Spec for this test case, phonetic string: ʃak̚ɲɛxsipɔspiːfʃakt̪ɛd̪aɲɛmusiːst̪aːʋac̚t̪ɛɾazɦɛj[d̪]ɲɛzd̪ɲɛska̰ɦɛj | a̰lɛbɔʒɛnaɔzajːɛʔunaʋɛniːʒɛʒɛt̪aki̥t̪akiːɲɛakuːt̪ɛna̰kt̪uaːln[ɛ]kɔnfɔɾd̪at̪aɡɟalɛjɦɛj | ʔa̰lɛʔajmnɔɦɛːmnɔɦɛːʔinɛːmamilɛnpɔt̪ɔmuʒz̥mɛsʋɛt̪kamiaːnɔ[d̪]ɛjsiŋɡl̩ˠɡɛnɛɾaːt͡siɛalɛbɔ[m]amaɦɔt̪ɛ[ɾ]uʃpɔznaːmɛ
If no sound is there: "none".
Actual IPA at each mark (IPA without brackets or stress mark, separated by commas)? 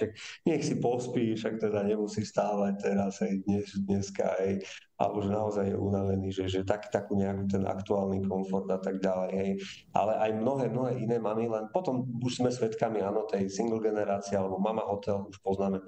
d̪, i, t̪, m, l